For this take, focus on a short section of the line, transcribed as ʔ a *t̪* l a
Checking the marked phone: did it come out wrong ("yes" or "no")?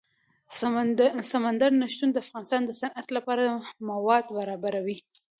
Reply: no